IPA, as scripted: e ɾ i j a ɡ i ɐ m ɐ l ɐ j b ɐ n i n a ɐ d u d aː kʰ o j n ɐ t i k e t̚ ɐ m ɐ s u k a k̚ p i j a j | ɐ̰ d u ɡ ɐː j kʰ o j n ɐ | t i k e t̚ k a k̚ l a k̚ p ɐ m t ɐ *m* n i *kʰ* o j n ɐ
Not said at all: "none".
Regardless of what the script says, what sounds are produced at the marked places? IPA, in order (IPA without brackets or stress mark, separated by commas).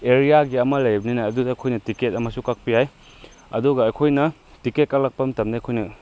m, kʰ